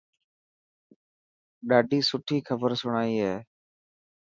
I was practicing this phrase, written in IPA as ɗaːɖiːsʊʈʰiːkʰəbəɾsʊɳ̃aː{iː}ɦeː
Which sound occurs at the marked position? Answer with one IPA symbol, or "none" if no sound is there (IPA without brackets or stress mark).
iː